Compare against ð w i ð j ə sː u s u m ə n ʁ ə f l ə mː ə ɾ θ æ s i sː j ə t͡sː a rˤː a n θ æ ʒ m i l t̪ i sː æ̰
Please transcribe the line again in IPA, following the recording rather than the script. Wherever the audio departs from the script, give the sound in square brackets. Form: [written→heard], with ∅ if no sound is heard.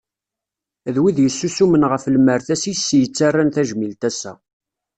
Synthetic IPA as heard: ð w i ð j ə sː u s u m ə n ʁ ə f l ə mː ə ɾ θ æ s i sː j ə t͡sː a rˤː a n θ æ ʒ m i l t̪ [i→æ] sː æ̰